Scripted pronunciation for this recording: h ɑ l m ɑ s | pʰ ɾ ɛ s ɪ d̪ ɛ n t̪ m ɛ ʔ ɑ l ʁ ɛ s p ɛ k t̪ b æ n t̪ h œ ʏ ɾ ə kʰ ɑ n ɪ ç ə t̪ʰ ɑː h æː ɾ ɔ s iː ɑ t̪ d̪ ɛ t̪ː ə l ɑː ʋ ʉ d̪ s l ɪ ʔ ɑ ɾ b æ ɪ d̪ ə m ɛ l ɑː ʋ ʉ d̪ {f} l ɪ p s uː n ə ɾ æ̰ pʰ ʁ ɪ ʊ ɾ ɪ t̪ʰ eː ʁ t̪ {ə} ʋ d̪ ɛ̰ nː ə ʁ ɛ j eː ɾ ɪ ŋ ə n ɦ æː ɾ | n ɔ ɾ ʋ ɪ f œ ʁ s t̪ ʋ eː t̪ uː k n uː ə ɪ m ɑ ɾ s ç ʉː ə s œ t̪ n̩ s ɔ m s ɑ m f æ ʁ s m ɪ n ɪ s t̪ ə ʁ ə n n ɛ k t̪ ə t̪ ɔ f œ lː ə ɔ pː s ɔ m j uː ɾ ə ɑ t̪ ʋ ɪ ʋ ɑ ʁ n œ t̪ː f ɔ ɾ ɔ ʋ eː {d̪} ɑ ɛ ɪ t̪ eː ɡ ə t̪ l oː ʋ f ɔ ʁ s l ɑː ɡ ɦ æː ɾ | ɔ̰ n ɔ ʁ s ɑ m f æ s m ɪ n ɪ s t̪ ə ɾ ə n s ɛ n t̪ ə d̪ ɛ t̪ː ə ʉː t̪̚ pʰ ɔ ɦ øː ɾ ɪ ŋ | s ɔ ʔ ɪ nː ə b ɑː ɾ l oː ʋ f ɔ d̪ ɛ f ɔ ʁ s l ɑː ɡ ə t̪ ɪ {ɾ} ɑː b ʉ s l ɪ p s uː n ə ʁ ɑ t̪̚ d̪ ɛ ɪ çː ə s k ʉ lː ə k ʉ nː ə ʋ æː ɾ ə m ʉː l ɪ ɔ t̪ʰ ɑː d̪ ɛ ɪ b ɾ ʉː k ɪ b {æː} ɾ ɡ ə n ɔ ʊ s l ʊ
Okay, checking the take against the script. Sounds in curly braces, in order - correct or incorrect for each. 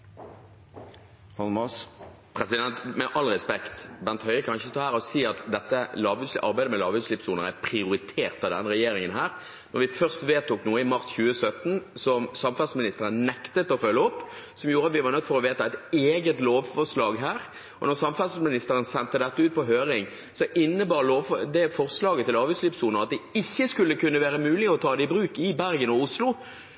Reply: incorrect, incorrect, incorrect, incorrect, incorrect

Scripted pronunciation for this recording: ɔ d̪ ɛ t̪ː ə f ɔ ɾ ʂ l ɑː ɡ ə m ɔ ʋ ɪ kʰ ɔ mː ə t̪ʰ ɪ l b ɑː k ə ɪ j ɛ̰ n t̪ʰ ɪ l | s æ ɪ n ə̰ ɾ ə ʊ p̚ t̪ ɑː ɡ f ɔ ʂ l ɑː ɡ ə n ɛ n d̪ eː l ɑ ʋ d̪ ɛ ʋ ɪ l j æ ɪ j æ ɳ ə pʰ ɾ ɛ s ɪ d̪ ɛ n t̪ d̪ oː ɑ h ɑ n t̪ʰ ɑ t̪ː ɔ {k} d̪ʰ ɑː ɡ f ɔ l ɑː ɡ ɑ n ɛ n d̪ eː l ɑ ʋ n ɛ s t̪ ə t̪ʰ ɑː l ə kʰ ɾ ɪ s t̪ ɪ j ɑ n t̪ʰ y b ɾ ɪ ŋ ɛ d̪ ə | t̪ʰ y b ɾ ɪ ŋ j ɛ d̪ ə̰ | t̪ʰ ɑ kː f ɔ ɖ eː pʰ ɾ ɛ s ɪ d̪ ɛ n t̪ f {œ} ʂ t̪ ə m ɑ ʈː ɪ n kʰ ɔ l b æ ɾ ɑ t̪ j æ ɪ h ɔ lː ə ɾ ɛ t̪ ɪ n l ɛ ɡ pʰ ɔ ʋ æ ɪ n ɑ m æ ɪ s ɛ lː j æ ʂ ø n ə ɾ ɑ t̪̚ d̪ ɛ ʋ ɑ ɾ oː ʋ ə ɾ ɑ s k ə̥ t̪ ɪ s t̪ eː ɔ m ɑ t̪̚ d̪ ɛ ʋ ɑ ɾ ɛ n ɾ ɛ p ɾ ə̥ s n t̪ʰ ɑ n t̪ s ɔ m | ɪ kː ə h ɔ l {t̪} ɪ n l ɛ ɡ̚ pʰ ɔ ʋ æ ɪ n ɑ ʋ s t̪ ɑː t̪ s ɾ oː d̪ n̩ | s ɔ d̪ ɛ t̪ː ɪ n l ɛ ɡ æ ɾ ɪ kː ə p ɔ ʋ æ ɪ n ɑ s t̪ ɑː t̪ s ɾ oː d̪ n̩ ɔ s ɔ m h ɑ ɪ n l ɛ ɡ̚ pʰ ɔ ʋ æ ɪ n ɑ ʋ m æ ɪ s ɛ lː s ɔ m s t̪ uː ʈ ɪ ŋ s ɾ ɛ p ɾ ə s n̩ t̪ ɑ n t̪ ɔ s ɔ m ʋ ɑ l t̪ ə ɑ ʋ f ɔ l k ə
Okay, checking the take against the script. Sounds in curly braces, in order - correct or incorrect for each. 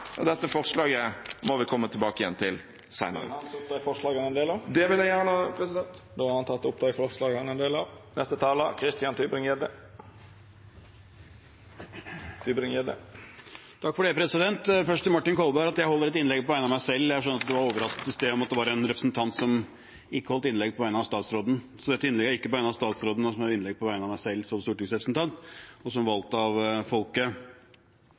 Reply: incorrect, correct, correct

